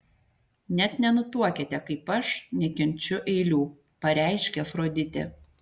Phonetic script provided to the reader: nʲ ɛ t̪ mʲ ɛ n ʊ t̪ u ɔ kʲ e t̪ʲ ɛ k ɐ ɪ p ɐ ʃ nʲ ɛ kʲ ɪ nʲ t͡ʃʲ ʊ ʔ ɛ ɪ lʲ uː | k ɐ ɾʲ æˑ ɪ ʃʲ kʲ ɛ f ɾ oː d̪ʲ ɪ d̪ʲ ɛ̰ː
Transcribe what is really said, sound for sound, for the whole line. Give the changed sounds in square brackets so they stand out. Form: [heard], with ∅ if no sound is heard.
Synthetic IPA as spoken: nʲ ɛ t̪ [nʲ] ɛ n ʊ t̪ u ɔ kʲ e t̪ʲ ɛ k ɐ ɪ p ɐ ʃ nʲ ɛ kʲ ɪ nʲ t͡ʃʲ ʊ ʔ ɛ ɪ lʲ uː | [p] ɐ ɾʲ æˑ ɪ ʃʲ kʲ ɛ f ɾ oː d̪ʲ ɪ [t̪ʲ] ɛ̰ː